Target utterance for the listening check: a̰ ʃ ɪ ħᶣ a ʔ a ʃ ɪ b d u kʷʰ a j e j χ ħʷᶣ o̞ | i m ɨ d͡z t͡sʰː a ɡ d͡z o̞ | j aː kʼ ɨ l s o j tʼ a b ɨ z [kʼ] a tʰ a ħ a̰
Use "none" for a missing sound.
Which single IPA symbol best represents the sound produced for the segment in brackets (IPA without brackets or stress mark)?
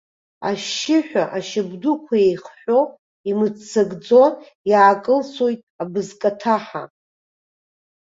kʼ